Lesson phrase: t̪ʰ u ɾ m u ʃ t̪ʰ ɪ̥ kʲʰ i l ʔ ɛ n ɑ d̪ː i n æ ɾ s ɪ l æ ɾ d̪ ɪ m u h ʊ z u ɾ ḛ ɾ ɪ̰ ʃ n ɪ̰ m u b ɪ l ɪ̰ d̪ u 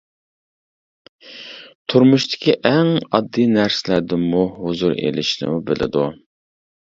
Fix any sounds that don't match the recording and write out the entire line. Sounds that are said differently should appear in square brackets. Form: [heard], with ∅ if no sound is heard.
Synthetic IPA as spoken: t̪ʰ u ɾ m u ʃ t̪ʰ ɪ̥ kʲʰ i [∅] ʔ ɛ [ŋ] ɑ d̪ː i n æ ɾ s ɪ l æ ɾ d̪ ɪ m u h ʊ z u ɾ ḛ [l] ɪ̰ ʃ n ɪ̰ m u b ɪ l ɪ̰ d̪ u